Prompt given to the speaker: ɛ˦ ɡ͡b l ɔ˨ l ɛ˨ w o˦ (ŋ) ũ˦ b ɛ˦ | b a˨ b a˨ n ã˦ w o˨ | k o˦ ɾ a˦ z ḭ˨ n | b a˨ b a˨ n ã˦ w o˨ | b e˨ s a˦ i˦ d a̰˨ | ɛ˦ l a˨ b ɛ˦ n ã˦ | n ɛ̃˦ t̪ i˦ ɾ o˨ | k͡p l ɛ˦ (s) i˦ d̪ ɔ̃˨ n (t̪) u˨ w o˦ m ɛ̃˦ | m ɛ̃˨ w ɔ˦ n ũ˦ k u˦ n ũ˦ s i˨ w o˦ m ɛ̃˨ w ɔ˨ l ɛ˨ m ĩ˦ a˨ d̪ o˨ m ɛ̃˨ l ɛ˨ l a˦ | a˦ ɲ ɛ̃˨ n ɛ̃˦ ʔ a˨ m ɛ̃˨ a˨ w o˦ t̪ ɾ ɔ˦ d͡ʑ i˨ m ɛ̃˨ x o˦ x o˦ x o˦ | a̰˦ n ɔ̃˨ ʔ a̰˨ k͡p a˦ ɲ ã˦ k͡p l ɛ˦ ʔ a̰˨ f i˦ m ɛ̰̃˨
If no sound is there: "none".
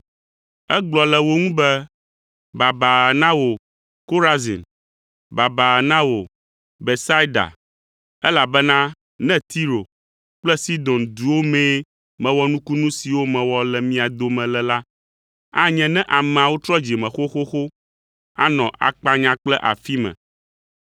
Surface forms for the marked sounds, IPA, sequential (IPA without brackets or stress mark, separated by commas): ŋ, s, d̪